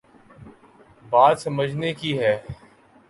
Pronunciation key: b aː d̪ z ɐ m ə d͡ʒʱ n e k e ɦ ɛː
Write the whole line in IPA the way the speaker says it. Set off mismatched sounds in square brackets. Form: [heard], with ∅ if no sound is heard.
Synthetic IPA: b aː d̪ [s] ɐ m ə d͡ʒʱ n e k [i] ɦ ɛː